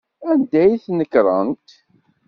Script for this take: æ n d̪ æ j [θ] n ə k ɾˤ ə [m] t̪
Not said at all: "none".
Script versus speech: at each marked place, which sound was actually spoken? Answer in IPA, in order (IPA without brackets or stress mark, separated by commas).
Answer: θ, n